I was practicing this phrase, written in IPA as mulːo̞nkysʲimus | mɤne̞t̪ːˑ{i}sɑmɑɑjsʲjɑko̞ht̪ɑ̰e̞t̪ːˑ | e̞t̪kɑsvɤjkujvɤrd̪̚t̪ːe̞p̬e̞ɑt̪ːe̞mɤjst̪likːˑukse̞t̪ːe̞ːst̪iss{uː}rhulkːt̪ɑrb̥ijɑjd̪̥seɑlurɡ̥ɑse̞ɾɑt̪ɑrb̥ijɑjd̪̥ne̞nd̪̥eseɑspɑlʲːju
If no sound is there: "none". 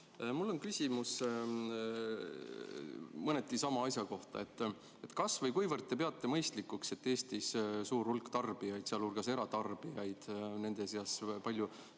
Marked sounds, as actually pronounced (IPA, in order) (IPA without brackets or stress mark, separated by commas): i, uː